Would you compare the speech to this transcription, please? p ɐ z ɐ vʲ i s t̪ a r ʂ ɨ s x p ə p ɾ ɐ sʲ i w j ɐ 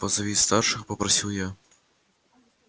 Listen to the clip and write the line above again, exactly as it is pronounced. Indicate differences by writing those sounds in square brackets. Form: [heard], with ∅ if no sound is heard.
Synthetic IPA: p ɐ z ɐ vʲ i s t̪ a r ʂ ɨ [∅] x p [ɐ] p ɾ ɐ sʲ i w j [a]